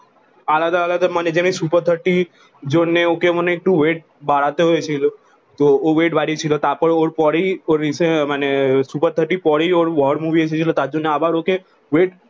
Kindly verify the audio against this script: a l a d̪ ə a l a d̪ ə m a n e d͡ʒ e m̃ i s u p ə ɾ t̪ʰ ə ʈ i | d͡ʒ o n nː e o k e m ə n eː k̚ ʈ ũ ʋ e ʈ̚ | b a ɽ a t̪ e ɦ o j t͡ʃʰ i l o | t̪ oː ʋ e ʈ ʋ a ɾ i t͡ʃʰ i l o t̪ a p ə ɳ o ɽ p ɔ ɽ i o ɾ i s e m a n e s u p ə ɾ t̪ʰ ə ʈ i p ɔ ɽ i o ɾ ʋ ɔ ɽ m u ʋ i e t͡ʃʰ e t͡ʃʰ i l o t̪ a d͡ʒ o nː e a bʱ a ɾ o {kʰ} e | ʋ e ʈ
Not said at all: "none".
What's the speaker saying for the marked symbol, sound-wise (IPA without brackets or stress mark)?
k